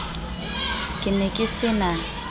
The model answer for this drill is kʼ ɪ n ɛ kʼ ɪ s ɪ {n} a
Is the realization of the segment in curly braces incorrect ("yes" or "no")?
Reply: no